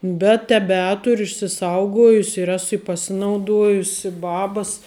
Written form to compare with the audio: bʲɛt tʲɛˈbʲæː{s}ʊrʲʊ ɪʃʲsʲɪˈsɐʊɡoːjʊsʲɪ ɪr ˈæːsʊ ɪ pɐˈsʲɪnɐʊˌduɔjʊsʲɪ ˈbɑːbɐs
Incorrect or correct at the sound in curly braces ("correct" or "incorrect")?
incorrect